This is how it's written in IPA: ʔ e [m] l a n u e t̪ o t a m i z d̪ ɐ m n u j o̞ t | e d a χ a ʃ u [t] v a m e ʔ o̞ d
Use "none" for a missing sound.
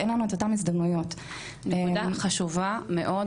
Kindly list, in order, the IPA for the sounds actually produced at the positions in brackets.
n, none

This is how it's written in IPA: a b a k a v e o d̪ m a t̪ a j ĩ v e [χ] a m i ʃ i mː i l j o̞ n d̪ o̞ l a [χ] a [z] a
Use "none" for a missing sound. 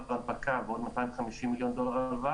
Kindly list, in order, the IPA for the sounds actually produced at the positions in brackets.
χ, ʁ, v

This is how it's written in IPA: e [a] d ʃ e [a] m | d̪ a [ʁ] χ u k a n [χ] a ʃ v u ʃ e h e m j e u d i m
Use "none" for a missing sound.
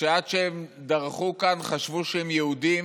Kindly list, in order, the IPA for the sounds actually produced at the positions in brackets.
a, e, ʁ, χ

